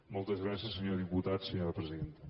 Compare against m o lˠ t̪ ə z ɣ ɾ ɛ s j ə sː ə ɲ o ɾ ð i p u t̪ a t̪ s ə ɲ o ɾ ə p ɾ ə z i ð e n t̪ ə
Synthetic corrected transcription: m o lˠ t̪ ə z ɣ ɾ a s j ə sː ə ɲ o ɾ ð i p u t̪ a t̪ s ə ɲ o ɾ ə p ɾ ə z i ð e n t̪ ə